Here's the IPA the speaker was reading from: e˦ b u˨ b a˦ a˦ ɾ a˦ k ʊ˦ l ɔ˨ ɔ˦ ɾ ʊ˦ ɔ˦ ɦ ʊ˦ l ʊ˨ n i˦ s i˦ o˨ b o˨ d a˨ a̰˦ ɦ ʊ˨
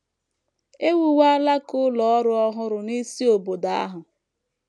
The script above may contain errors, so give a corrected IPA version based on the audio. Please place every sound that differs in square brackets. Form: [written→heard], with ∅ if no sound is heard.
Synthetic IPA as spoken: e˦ [b→w] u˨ [b→w] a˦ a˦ [ɾ→l] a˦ k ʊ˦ l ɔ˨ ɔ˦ ɾ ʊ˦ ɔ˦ ɦ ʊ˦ [l→ɾ] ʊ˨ n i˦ s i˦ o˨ b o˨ d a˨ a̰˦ ɦ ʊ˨